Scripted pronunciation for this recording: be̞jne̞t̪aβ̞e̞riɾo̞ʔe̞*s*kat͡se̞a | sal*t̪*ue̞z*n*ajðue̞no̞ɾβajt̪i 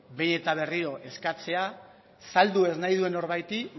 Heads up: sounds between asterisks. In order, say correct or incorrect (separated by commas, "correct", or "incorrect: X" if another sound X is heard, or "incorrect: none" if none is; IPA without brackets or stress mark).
correct, incorrect: d̪, correct